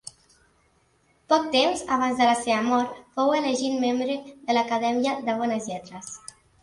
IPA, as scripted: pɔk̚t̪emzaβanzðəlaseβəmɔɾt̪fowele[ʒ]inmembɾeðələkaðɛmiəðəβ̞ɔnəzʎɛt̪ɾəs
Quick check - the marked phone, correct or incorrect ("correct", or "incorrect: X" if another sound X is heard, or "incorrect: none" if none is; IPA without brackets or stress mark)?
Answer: correct